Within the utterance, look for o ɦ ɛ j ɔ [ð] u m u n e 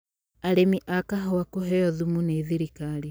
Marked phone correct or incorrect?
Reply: correct